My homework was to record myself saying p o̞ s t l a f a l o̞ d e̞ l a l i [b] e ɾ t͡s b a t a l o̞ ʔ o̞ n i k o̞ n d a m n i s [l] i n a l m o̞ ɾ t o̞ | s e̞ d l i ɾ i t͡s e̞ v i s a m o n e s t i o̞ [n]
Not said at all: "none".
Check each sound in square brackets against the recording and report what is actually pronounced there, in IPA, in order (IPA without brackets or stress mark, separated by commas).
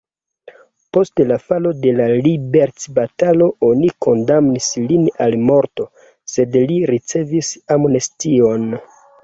b, l, n